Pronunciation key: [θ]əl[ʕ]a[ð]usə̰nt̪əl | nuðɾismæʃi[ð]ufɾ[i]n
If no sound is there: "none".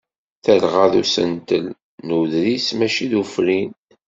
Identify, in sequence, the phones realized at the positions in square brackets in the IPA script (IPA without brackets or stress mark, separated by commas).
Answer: θ, ʁ, ð, ð, i